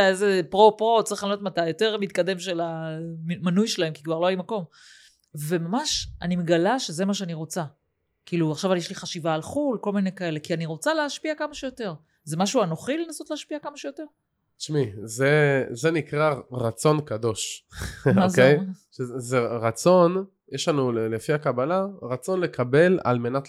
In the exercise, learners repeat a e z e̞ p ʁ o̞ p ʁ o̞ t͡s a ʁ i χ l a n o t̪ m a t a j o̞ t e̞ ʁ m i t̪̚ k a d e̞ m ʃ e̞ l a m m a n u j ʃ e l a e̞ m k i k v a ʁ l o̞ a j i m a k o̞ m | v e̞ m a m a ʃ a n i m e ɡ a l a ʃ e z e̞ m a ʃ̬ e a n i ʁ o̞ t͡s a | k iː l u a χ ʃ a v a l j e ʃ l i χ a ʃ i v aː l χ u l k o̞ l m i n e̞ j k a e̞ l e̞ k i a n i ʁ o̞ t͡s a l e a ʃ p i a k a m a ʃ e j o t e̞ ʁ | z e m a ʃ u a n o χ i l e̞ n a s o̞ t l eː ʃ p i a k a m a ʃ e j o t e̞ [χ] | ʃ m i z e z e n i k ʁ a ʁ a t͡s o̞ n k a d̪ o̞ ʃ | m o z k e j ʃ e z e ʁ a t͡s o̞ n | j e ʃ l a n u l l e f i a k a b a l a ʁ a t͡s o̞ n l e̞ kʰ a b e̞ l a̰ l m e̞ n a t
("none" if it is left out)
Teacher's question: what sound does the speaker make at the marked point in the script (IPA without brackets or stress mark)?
ʁ